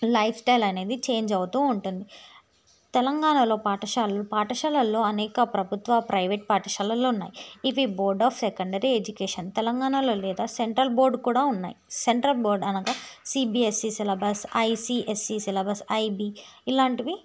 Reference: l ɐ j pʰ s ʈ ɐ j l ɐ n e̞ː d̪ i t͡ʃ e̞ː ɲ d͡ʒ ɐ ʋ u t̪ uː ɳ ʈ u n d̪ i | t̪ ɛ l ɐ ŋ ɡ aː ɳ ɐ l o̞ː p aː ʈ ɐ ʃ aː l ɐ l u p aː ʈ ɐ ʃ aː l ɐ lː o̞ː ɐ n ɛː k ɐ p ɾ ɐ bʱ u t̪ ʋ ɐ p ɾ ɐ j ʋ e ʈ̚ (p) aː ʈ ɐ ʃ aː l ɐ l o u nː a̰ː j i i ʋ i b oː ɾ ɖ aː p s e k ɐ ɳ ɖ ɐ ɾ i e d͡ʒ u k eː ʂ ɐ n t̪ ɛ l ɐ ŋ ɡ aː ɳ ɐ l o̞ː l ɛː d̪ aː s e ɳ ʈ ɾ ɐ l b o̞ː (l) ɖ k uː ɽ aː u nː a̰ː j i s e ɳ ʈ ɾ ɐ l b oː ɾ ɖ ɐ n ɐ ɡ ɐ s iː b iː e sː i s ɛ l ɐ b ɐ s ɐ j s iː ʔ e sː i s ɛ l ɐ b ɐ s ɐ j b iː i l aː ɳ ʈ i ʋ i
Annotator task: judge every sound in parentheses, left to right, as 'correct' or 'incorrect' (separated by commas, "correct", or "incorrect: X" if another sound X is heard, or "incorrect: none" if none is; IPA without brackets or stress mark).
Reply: correct, incorrect: ɾ